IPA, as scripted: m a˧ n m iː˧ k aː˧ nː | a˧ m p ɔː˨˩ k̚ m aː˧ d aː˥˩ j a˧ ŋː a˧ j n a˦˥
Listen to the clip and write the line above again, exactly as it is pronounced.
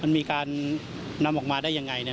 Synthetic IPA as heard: m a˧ n m iː˧ k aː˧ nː | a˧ m ʔ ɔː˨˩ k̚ m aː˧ d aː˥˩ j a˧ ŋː a˧ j n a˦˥